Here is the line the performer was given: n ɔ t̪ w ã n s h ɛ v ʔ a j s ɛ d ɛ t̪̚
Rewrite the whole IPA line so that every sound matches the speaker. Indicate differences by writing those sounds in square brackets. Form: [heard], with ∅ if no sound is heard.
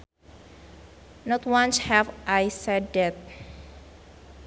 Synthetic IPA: n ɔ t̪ w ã n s h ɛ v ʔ a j s ɛ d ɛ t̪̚